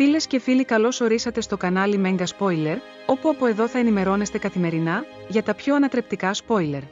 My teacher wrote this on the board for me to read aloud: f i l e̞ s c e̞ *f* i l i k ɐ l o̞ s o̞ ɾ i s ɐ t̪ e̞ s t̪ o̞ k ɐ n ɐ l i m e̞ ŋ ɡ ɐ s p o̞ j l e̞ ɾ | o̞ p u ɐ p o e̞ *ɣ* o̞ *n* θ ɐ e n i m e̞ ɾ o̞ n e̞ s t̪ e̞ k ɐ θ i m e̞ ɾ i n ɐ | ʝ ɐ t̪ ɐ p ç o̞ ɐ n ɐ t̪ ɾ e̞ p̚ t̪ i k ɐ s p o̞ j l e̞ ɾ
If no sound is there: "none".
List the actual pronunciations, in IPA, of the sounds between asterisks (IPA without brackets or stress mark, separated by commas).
f, ð, none